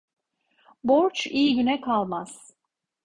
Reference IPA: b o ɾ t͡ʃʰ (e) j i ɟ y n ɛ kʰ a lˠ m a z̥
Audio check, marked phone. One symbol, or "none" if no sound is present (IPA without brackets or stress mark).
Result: i